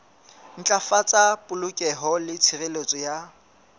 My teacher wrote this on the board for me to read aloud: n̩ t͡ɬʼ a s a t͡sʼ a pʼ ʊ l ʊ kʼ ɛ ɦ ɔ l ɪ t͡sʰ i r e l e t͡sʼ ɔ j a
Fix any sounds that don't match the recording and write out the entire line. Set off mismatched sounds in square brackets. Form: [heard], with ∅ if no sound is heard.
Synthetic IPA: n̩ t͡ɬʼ a [f] a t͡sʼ a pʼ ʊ l ʊ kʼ ɛ ɦ ɔ l ɪ t͡sʰ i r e l e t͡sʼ ɔ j a